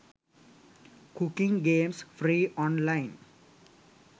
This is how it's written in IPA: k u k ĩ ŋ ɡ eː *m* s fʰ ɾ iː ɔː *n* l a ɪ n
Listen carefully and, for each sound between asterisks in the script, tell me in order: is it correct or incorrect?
correct, correct

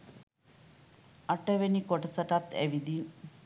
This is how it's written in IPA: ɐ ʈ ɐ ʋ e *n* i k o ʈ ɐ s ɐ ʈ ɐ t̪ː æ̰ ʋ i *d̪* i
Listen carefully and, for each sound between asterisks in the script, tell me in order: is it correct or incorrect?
correct, correct

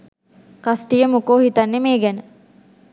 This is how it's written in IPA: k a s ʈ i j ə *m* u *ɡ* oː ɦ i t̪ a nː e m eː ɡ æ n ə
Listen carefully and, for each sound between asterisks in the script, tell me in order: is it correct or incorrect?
correct, incorrect

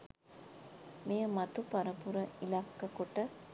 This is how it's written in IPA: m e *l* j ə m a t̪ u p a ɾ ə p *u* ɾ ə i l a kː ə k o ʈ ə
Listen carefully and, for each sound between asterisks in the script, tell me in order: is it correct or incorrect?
incorrect, correct

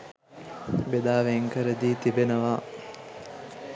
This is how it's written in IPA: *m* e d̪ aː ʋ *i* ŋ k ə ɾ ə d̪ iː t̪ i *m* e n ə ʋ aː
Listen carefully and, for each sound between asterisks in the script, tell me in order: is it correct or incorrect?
incorrect, incorrect, incorrect

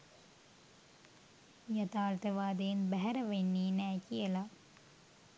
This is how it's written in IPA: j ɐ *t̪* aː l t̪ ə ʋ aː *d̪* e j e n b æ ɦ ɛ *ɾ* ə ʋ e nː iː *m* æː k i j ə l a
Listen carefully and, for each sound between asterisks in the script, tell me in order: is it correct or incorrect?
correct, correct, correct, incorrect

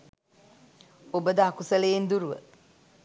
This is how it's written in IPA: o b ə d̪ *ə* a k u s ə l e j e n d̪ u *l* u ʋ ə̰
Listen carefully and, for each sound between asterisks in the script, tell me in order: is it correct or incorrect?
correct, incorrect

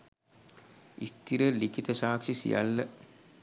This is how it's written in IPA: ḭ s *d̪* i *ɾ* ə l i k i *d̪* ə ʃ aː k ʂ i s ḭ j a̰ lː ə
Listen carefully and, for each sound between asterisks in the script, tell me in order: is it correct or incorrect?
incorrect, correct, incorrect

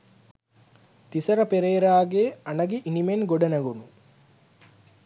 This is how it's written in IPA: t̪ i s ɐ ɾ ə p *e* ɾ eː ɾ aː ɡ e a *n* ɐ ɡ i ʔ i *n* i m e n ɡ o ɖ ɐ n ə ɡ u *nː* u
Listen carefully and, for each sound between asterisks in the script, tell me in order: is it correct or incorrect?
correct, correct, correct, incorrect

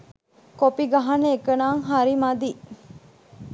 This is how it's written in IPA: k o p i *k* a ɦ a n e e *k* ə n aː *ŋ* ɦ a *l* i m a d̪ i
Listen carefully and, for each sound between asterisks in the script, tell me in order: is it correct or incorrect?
incorrect, correct, correct, incorrect

